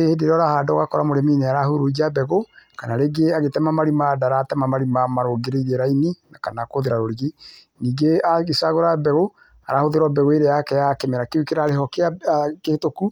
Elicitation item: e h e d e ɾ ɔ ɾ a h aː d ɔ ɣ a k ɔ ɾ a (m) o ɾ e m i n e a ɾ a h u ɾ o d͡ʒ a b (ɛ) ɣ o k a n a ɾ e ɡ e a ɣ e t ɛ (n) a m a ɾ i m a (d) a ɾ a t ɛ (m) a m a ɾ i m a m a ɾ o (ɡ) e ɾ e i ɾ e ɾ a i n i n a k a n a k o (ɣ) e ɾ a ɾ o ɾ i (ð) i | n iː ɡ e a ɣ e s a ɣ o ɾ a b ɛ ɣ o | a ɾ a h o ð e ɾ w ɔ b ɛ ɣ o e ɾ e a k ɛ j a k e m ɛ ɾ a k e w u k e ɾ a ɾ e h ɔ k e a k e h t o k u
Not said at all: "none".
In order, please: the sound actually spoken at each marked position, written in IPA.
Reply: m, ɛ, m, d, m, ɡ, ð, ɣ

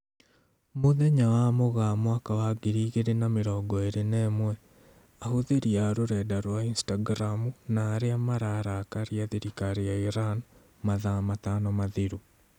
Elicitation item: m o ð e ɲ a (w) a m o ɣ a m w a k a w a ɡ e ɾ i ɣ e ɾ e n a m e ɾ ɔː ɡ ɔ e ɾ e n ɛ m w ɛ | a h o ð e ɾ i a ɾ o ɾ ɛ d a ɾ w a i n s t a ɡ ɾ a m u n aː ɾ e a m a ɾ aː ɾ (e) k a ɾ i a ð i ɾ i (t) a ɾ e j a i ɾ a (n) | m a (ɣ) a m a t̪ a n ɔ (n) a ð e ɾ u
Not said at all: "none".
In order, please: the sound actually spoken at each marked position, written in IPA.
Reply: w, a, k, n, ð, m

